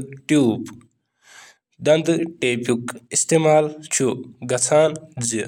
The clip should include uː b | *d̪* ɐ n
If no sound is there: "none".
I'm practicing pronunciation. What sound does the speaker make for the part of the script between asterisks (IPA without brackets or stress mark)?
d̪